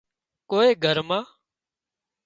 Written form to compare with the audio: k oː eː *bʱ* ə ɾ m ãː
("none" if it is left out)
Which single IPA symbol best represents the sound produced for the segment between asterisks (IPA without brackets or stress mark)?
ɡʱ